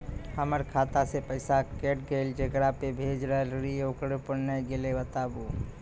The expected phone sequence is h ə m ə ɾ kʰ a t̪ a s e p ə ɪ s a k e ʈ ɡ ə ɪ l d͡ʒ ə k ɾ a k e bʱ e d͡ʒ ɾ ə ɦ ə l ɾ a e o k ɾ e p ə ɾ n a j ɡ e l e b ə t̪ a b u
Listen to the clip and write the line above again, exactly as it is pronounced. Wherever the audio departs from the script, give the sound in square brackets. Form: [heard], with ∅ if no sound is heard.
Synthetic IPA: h ə m ə ɾ kʰ a t̪ a s e p ə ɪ s a k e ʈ ɡ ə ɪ l d͡ʒ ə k ɾ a [p] e bʱ e d͡ʒ ɾ ə ɦ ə l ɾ [i] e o k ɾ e p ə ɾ n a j ɡ e l e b ə t̪ a b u

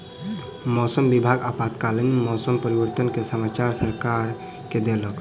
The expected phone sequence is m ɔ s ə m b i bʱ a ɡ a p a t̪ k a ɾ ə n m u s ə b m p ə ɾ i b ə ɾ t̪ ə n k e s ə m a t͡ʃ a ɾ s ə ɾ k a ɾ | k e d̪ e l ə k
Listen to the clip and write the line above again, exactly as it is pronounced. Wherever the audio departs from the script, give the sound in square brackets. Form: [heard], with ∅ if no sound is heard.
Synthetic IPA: m ɔ s ə m b i bʱ a ɡ a p a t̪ k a [l] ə n m [ɔ] s ə [∅] m p ə ɾ i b ə ɾ t̪ ə n k e s ə m a t͡ʃ a ɾ s ə ɾ k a ɾ | k e d̪ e l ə k

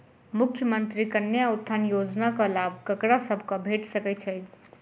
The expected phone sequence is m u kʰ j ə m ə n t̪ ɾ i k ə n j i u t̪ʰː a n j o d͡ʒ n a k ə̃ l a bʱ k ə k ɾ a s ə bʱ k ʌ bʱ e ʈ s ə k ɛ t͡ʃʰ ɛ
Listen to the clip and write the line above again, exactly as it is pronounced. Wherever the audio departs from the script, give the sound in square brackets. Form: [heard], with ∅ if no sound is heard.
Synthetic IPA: m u kʰ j ə m ə n t̪ ɾ i k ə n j [a] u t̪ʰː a n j o d͡ʒ n a k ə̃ l a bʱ k ə k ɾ a s ə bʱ k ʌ bʱ e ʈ s ə k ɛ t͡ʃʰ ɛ

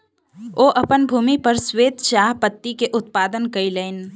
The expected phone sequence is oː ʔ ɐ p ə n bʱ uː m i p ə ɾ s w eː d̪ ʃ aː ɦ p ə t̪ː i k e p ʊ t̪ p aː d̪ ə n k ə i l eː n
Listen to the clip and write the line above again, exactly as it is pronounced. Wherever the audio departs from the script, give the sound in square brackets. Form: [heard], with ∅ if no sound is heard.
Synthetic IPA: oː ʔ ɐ p ə n bʱ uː m i p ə ɾ s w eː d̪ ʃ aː ɦ p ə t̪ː i k e [ʔ] ʊ t̪ p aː d̪ ə n k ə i l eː n

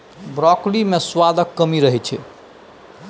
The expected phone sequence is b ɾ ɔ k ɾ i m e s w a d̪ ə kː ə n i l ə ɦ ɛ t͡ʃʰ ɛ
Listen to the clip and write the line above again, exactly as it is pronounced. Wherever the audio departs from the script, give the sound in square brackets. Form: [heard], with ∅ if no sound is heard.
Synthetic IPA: b ɾ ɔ k [l] i m e s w a d̪ ə kː ə [m] i [ɾ] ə ɦ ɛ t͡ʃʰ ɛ

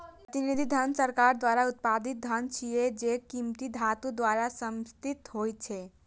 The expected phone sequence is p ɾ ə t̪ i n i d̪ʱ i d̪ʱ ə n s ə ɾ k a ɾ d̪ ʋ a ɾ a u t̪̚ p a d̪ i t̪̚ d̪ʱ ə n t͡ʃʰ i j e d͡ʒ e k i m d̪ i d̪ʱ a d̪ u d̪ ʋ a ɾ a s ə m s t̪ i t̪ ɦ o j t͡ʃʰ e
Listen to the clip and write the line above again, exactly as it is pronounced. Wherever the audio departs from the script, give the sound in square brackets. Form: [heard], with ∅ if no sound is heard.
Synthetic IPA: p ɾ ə t̪ i n i d̪ʱ i d̪ʱ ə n s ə ɾ k a ɾ d̪ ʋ a ɾ a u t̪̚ p a d̪ i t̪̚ d̪ʱ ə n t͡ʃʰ i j e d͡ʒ e k i m [t̪] i d̪ʱ a [t̪] u d̪ ʋ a ɾ a s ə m s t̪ i t̪ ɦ o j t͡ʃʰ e

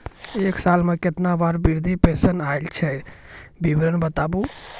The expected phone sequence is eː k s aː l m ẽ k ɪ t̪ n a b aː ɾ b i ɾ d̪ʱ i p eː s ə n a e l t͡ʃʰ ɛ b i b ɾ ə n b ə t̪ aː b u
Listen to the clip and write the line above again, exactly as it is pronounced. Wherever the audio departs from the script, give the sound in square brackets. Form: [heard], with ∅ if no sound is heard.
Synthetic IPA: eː k s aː l m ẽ k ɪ t̪ n a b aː ɾ b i ɾ d̪ʱ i p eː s ə n a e l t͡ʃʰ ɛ b i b ɾ ə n b ə t̪ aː b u

